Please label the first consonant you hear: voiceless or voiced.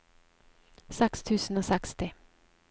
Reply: voiceless